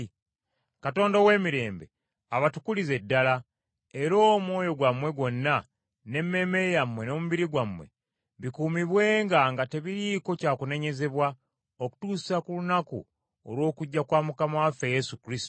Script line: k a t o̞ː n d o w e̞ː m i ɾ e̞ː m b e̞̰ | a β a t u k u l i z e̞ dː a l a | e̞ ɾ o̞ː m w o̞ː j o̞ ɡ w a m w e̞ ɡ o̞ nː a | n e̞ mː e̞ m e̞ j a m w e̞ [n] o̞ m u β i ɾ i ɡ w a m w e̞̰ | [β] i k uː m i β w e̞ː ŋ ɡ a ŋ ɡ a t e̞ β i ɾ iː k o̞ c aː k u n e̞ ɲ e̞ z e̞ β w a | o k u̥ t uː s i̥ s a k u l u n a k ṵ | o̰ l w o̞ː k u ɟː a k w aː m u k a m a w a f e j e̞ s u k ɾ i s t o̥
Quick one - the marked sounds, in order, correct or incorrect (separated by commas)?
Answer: correct, correct